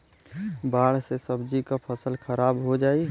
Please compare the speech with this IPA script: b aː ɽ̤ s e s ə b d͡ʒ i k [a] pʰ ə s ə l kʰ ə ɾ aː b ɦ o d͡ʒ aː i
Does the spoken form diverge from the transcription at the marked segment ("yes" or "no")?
no